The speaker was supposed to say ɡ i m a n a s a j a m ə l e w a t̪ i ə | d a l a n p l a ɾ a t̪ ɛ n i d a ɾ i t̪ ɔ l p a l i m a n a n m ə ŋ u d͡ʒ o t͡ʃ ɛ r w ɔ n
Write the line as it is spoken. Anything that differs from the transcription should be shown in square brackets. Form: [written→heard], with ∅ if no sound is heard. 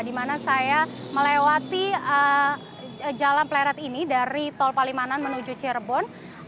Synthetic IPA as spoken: [ɡ→d] i m a n a s a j a m ə l e w a t̪ i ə | [d→d͡ʒ] a l a n p l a ɾ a t̪ [ɛ→i] n i d a ɾ i t̪ ɔ l p a l i m a n a n m ə [ŋ→n] u d͡ʒ [o→u] t͡ʃ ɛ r [w→b] ɔ n